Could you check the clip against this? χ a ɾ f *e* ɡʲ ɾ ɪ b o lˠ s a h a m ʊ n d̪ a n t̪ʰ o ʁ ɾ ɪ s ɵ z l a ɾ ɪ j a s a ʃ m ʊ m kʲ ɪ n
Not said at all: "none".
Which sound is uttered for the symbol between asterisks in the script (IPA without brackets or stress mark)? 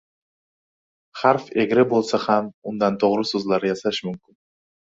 e